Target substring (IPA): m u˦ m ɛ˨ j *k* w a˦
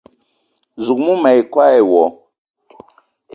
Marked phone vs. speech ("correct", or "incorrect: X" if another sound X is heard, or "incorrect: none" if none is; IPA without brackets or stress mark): correct